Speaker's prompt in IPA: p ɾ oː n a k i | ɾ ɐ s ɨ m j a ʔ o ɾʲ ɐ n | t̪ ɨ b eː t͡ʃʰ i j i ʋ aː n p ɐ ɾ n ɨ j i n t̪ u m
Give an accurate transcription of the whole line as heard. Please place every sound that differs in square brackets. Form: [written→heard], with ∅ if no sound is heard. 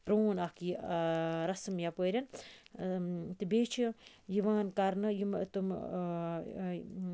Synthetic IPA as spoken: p ɾ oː n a k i | ɾ ɐ s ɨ m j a [ʔ→p] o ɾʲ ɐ n | t̪ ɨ b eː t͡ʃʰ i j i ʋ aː n [p→k] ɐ ɾ n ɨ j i [n→m] t̪ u m